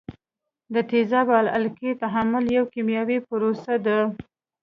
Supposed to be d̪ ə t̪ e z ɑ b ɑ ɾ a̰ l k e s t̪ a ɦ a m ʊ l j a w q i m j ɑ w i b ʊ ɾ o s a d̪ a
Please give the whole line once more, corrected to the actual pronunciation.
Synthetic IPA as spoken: d̪ ə t̪ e z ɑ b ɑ l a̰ l k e t̪ a ɦ a m ʊ l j a w k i m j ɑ w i p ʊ ɾ o s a d̪ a